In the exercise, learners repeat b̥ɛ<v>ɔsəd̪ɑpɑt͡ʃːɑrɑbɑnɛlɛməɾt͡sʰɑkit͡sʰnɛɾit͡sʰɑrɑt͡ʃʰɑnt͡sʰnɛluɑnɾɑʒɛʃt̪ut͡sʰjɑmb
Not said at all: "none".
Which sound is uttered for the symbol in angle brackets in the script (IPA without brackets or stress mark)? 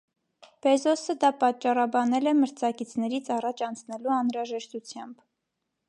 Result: z